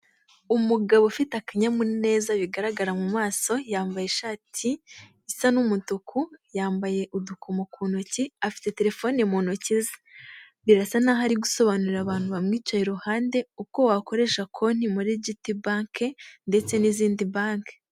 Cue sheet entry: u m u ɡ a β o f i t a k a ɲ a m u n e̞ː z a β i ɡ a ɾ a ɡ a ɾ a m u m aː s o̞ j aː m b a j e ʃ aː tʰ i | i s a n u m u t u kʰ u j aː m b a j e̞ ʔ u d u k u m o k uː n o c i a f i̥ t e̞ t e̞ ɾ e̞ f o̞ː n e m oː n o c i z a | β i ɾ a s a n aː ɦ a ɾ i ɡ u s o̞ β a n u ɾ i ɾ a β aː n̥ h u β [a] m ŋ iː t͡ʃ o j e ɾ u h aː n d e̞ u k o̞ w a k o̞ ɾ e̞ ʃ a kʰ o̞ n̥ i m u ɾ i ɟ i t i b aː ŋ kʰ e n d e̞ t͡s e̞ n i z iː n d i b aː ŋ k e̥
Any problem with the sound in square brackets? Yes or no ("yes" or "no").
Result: no